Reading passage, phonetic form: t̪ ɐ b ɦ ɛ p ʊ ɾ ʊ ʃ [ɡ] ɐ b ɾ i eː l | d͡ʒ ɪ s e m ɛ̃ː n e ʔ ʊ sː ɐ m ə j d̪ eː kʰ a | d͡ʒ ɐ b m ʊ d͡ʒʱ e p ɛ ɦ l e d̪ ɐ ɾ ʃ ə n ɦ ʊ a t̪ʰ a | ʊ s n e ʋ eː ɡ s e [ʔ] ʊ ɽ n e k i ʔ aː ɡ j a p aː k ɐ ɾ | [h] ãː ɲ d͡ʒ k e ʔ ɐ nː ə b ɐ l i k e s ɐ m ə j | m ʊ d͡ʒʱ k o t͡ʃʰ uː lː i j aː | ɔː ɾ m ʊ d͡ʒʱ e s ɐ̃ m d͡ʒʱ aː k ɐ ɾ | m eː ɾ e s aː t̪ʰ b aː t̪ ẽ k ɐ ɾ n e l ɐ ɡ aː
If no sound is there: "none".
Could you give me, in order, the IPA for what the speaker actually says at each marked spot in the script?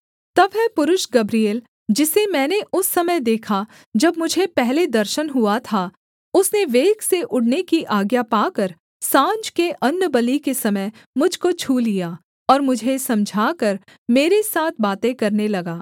ɡ, ʔ, s

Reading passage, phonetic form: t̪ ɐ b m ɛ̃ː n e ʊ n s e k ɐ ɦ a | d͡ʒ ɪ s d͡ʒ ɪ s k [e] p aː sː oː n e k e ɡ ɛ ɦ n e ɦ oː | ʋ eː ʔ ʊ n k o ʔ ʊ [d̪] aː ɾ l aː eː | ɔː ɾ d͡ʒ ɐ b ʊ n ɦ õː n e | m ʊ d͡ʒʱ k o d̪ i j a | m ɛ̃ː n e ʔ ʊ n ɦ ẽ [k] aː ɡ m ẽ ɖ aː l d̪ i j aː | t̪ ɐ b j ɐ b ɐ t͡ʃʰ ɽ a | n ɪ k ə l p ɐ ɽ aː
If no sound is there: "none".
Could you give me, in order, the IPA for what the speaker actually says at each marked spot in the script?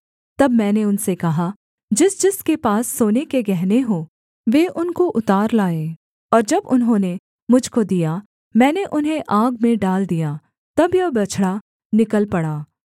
e, t̪, ʔ

